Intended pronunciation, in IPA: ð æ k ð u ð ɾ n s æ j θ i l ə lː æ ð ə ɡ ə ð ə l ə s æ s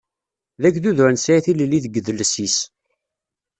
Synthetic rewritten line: ð æ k ð u ð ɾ n s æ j θ i l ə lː i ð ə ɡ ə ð ə l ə s i s